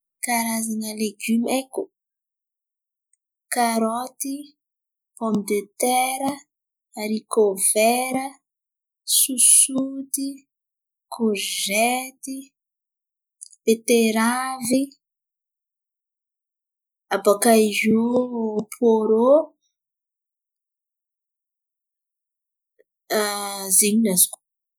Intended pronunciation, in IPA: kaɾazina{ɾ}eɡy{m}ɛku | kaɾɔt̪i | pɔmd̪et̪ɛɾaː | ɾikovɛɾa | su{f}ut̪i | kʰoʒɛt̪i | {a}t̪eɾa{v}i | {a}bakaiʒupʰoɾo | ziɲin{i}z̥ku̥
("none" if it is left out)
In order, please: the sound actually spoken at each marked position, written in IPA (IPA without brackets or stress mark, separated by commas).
l, m, s, e, v, a, a